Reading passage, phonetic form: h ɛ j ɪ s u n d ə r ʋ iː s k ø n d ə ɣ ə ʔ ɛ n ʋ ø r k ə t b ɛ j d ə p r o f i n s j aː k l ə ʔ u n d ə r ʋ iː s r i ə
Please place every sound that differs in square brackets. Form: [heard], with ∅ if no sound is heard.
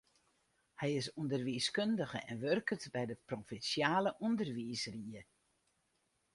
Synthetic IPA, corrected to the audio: h ɛ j ɪ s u n d ə r ʋ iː s k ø n d ə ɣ ə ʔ ɛ n ʋ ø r k ə t b ɛ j d ə p r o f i n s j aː [∅] l ə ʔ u n d ə r ʋ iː s r i ə